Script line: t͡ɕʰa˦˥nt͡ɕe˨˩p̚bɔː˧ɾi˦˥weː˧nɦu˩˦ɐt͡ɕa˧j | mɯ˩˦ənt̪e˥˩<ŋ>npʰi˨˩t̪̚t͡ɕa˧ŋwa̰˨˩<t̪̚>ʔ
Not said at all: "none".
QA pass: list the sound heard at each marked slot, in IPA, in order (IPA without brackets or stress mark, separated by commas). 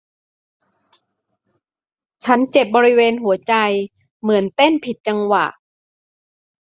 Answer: none, none